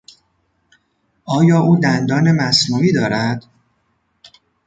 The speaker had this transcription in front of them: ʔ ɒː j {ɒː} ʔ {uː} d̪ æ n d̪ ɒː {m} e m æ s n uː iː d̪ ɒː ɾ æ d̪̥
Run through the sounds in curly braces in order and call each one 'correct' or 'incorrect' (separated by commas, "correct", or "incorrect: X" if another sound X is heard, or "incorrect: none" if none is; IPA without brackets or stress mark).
correct, correct, incorrect: n